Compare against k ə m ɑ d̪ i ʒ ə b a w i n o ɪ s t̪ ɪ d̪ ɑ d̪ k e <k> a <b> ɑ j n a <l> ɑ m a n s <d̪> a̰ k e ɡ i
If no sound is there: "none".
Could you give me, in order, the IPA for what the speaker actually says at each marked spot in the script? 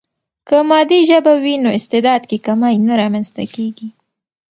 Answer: k, m, ɾ, t̪

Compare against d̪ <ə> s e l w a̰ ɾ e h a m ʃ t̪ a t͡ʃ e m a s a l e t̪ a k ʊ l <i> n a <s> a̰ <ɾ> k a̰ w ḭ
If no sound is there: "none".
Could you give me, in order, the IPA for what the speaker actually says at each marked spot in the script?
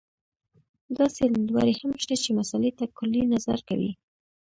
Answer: ɑ, i, z, ɾ

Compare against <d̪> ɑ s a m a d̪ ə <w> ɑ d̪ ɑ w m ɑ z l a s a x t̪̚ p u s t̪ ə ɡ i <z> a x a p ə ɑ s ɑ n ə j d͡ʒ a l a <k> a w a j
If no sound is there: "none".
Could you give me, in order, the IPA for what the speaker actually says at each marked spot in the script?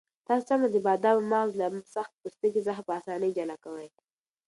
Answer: t̪, b, z, k

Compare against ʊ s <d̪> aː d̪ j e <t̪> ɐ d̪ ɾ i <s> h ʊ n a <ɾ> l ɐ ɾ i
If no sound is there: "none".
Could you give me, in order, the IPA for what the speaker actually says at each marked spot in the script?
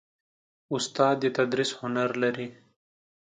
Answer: t̪, t̪, s, ɾ

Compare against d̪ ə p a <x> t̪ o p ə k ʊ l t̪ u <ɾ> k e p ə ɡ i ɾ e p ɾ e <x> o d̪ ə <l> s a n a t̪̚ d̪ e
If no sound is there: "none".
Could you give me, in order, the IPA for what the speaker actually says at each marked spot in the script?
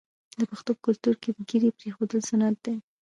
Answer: x, ɾ, x, l

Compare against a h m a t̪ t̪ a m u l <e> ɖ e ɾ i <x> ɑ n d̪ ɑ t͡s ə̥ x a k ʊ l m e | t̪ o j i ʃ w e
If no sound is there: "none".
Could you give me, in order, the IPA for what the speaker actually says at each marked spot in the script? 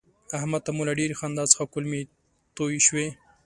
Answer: a, x

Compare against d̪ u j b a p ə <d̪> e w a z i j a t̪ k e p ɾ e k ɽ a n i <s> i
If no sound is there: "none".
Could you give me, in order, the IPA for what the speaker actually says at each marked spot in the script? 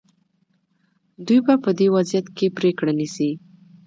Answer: d̪, s

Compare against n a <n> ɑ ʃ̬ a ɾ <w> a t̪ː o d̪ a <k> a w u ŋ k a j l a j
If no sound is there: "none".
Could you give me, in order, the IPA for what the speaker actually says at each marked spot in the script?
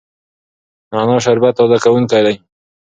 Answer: n, b, k

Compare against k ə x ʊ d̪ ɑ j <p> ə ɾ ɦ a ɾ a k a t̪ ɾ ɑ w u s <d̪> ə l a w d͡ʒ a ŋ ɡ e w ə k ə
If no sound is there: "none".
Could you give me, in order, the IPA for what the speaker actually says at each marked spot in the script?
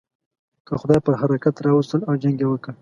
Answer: p, t̪

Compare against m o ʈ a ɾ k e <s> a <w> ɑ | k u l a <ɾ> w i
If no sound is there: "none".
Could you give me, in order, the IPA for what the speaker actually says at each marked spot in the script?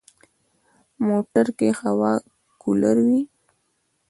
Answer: x, w, ɾ

